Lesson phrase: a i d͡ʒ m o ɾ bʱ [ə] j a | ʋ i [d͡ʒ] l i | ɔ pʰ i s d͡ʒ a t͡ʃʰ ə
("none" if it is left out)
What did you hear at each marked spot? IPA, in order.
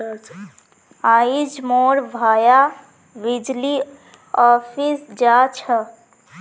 a, d͡ʒ

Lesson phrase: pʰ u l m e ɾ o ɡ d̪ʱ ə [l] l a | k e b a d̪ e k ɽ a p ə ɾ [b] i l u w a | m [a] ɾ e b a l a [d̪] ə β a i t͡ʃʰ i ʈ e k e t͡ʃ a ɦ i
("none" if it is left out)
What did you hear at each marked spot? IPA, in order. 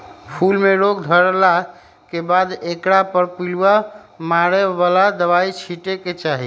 ɾ, p, a, d̪

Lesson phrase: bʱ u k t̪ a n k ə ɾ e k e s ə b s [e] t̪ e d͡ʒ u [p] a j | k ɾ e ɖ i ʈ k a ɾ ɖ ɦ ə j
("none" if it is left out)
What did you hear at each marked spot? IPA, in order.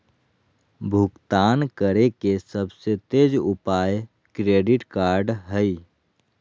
e, p

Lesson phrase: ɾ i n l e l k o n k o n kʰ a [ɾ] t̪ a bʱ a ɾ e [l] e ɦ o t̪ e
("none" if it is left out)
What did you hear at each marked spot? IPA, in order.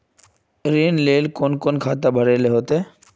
none, l

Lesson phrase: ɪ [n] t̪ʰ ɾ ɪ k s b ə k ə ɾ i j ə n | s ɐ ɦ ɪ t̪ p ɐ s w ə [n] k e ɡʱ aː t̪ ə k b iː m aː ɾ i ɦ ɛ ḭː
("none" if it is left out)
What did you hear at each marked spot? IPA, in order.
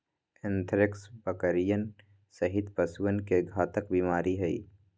n, n

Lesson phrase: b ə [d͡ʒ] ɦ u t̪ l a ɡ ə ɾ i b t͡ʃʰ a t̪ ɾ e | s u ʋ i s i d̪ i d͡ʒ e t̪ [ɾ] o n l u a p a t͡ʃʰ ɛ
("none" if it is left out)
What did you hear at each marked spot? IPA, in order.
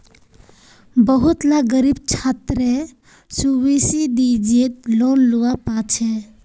none, l

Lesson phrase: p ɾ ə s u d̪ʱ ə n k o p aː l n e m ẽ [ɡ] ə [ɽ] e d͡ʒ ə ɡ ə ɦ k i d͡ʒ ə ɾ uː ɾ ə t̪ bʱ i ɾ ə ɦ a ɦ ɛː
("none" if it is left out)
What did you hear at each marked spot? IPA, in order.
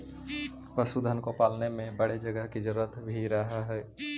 b, ɽ

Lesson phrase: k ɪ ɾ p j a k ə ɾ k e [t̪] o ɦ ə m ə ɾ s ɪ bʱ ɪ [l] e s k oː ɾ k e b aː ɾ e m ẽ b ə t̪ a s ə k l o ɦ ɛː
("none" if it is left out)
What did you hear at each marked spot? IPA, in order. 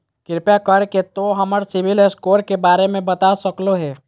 t̪, l

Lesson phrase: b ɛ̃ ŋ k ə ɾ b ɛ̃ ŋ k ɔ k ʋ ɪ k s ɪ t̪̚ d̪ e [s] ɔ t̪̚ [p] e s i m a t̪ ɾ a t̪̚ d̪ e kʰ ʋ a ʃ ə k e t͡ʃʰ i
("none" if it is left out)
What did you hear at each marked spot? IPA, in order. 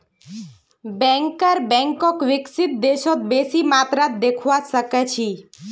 ʃ, b

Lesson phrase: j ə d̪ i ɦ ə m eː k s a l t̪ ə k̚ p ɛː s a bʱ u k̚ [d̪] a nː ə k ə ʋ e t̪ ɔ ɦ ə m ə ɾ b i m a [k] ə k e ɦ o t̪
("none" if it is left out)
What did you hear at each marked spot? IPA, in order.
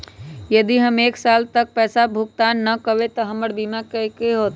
t̪, k

